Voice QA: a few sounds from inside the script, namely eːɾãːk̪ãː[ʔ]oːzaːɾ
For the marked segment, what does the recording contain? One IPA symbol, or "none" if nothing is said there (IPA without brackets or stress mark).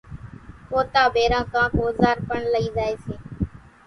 k